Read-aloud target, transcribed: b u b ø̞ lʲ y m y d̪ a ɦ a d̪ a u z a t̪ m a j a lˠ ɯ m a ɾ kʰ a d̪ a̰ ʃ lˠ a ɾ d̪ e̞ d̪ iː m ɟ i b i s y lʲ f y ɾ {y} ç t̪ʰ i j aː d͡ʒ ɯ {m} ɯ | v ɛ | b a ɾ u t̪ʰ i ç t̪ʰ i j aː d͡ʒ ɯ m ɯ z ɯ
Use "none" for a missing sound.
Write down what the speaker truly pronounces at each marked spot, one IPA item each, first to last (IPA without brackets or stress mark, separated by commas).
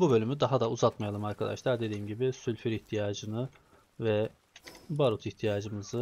i, n